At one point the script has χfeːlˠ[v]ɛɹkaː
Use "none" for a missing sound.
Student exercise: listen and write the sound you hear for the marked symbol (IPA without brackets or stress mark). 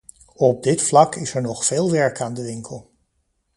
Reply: ʋ